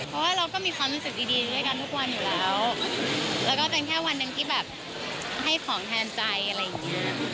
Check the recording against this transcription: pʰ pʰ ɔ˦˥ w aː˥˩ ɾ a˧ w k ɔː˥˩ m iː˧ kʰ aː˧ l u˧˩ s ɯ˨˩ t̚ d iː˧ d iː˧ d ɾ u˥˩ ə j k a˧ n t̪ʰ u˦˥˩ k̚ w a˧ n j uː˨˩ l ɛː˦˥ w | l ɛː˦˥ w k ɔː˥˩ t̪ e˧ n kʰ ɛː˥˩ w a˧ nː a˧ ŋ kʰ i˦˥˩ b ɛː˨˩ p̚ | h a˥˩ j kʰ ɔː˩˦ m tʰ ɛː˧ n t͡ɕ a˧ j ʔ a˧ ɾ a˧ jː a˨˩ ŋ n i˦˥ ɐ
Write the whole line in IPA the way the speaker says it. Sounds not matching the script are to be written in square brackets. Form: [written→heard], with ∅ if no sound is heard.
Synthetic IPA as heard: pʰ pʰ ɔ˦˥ w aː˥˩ ɾ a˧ w k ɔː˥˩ m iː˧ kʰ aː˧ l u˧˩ s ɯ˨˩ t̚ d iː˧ d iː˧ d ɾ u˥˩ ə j k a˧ n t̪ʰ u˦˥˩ k̚ w a˧ n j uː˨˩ l ɛː˦˥ w | l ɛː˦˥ w k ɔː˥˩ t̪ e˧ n kʰ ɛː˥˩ w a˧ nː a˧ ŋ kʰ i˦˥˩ b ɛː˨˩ p̚ | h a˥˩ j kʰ ɔː˩˦ [m→ŋ] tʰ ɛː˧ n t͡ɕ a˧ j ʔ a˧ ɾ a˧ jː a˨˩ ŋ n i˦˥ ɐ